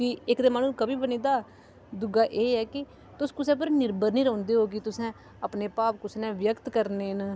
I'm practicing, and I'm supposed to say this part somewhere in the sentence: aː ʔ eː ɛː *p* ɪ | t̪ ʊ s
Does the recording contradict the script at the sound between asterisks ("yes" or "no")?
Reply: yes